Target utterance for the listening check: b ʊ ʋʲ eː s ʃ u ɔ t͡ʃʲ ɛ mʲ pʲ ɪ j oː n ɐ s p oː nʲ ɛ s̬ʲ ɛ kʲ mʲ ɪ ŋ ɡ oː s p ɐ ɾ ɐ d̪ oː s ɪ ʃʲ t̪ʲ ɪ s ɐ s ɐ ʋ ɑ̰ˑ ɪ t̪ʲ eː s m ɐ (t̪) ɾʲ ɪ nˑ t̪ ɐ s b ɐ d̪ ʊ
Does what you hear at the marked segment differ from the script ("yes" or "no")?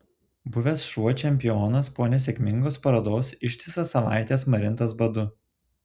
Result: yes